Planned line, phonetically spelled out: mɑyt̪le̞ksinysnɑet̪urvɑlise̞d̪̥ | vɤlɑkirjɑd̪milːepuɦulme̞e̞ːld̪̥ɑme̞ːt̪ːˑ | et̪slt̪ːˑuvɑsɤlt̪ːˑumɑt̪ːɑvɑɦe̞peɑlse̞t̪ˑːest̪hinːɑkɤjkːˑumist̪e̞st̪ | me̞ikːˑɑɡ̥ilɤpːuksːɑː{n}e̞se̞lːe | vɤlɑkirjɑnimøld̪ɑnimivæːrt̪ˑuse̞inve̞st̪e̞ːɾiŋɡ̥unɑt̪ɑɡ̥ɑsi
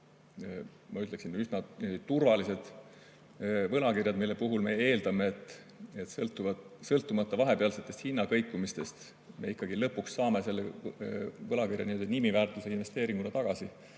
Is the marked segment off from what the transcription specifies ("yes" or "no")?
yes